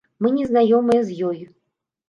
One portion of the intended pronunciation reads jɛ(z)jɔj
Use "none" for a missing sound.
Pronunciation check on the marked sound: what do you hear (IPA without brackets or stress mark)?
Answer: z